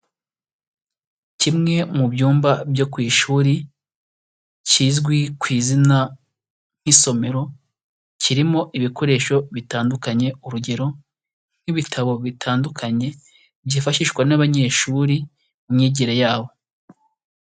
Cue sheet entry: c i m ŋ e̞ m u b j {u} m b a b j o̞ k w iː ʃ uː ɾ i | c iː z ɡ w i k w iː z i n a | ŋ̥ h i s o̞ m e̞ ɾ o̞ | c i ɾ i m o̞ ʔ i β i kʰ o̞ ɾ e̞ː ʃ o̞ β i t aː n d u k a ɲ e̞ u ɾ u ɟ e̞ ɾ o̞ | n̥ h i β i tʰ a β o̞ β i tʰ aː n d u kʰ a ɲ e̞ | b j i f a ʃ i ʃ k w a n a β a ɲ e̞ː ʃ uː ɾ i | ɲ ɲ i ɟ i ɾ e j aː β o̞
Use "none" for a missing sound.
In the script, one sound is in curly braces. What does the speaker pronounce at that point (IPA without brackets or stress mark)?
uː